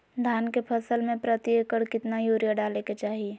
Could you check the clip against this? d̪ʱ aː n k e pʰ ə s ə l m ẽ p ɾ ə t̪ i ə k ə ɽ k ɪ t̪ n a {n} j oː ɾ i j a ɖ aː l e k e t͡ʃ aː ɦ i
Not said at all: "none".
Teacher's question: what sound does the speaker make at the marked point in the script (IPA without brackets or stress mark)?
none